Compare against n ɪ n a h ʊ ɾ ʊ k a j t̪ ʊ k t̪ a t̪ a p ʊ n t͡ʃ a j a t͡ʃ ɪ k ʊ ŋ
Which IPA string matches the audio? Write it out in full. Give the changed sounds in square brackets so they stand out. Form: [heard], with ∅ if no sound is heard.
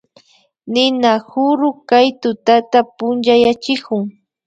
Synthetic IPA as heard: n ɪ n a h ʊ ɾ ʊ k a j t̪ ʊ [∅] t̪ a t̪ a p ʊ n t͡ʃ a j a t͡ʃ ɪ k ʊ ŋ